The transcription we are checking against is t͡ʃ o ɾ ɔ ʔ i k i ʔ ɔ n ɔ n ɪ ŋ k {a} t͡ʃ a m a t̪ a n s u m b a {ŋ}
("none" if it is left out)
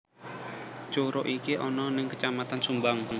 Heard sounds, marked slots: ə, ŋ

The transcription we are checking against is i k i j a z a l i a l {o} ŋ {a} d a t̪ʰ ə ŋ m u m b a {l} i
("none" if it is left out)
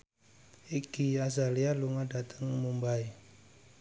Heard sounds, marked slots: u, a, none

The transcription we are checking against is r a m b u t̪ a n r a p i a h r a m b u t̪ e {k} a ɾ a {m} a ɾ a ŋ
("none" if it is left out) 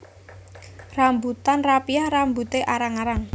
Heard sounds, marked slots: ʔ, ŋ

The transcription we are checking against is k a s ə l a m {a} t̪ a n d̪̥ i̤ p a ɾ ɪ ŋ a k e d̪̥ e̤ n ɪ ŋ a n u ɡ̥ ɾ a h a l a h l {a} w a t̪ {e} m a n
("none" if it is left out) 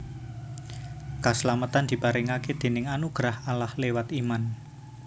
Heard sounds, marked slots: ə, e, i

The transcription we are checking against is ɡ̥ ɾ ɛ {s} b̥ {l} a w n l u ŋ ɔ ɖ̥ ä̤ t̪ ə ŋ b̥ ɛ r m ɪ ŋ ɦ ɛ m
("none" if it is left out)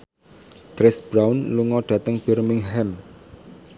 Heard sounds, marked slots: s, ɾ

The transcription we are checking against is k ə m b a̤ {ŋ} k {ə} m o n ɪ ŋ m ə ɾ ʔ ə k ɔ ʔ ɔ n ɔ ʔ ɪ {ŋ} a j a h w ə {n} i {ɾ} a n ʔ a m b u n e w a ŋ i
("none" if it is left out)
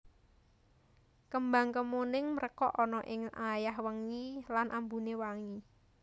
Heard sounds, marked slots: ŋ, ə, ŋ, ŋ, l

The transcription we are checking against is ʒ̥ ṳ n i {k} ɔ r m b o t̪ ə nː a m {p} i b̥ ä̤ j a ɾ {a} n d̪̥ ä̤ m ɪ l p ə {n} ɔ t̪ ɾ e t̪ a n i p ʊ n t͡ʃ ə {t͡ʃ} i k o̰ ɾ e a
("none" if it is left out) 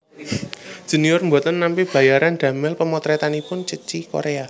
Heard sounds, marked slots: none, p, a, m, t͡ʃ

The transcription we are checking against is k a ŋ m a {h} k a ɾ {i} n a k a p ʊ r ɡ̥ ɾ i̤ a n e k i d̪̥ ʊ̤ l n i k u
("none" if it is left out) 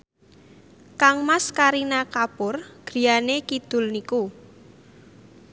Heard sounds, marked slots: s, i

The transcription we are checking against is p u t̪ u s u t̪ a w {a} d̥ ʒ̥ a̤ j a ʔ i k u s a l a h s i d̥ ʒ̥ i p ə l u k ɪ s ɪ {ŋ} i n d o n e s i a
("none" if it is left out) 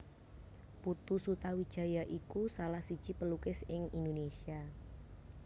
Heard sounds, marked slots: i, ŋ

